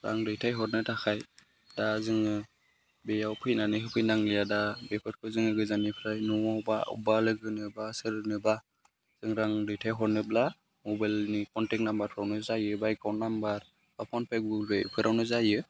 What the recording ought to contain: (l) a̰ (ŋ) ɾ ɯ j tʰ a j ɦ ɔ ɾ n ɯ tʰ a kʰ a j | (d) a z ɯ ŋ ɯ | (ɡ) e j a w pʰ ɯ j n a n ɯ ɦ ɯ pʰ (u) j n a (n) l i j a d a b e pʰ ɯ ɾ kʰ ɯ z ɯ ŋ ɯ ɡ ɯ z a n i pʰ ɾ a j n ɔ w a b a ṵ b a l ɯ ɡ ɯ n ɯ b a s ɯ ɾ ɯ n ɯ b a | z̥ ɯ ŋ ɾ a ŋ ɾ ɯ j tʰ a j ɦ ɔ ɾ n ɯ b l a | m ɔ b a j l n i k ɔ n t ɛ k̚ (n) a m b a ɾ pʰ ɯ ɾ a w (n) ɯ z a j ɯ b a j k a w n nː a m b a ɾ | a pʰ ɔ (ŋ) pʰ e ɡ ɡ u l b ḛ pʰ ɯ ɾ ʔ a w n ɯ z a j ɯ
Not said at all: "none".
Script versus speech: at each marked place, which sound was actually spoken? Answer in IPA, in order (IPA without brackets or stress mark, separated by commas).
ɾ, ŋ, d, b, ɯ, ŋ, n, n, n